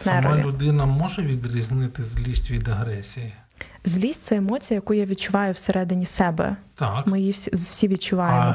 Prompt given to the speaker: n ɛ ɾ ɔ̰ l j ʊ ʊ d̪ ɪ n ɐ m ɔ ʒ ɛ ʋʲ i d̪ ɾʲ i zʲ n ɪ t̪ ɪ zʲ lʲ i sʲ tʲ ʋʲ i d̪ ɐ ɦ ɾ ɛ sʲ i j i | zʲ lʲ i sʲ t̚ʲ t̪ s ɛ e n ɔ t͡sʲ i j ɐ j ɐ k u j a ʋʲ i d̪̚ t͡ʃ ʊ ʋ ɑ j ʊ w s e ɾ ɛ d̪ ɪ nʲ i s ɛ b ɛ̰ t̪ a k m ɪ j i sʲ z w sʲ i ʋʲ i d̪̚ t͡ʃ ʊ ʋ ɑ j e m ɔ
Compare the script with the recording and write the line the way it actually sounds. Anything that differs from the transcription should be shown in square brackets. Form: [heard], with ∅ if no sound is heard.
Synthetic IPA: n ɛ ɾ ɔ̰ l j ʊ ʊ d̪ ɪ n ɐ m ɔ ʒ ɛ ʋʲ i d̪ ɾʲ i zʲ n ɪ t̪ ɪ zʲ lʲ i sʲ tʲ ʋʲ i d̪ ɐ ɦ ɾ ɛ sʲ i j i | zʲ lʲ i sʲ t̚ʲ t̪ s ɛ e [m] ɔ t͡sʲ i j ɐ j ɐ k u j a ʋʲ i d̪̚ t͡ʃ ʊ ʋ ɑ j ʊ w s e ɾ ɛ d̪ ɪ nʲ i s ɛ b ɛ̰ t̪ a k m ɪ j i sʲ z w sʲ i ʋʲ i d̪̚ t͡ʃ ʊ ʋ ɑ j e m ɔ